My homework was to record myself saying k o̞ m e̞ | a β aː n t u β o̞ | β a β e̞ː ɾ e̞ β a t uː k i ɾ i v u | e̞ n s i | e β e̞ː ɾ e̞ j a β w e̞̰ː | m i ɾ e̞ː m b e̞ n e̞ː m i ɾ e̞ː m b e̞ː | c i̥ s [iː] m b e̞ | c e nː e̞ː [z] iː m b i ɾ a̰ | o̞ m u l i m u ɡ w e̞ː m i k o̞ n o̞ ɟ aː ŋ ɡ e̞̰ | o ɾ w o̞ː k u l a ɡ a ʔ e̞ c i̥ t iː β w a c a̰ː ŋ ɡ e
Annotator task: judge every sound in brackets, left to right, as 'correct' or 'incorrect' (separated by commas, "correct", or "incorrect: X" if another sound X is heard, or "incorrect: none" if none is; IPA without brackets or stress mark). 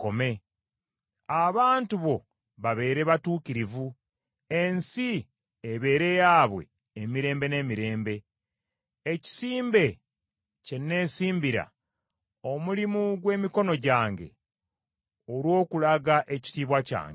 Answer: correct, incorrect: s